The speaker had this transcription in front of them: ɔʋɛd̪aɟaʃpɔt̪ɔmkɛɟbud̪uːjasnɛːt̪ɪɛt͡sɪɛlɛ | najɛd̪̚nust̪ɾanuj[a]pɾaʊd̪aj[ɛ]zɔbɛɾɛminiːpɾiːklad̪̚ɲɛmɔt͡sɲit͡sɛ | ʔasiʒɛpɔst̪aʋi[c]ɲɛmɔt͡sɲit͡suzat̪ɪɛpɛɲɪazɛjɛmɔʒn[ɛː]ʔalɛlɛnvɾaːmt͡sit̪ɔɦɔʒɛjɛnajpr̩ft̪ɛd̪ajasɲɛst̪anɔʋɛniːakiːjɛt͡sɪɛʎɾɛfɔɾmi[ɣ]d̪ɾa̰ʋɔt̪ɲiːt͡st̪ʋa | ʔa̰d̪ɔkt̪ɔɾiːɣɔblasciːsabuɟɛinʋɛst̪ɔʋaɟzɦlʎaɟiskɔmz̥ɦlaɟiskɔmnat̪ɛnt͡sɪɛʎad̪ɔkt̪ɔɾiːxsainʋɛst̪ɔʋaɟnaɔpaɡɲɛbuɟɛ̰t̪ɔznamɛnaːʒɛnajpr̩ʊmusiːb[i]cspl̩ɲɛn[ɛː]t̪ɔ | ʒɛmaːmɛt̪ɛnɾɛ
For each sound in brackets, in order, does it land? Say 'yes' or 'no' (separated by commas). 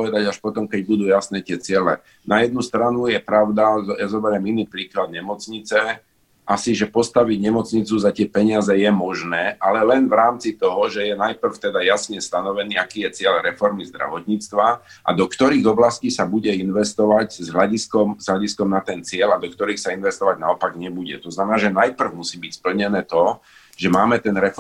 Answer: no, no, no, yes, no, yes, yes